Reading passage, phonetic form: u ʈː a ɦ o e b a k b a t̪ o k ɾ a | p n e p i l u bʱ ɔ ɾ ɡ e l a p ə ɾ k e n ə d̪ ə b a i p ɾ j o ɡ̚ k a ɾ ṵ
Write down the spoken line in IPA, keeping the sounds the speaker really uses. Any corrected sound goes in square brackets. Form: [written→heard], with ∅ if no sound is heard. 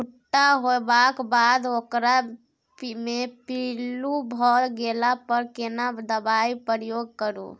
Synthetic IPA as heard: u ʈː a ɦ o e b a k b a [t̪→d̪] o k ɾ a | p [n→m] e p i l u bʱ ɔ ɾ ɡ e l a p ə ɾ k e n [ə→a] d̪ ə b a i p ɾ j o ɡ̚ k [a→ə] ɾ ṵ